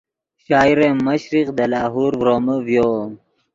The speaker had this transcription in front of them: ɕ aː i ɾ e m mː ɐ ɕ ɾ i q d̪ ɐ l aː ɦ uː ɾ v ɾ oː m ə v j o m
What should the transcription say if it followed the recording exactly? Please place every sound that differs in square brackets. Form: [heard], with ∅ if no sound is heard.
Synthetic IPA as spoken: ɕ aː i ɾ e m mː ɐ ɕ ɾ i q d̪ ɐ l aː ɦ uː ɾ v ɾ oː m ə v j o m